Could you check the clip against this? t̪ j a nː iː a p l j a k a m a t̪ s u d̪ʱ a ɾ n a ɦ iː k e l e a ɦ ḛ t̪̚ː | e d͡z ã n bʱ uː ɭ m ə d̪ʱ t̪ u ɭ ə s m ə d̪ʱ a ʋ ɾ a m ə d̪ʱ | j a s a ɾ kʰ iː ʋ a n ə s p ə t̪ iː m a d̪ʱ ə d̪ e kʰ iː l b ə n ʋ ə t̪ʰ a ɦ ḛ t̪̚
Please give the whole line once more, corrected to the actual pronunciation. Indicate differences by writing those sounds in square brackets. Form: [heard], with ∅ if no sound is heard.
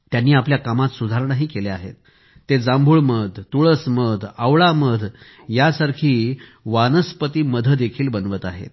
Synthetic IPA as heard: t̪ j a nː iː a p l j a k a m a t̪ s u d̪ʱ a ɾ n a ɦ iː k e l e a ɦ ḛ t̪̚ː | e d͡z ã [m] bʱ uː ɭ m ə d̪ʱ t̪ u ɭ ə s m ə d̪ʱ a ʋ [ɭ] a m ə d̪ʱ | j a s a ɾ kʰ iː ʋ a n ə s p ə t̪ iː m [ə] d̪ʱ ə d̪ e kʰ iː l b ə n ʋ ə [t̪] a ɦ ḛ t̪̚